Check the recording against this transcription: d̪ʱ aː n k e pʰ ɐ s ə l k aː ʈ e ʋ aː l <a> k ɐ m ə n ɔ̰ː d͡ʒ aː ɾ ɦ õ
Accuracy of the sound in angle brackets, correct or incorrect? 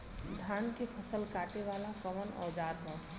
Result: correct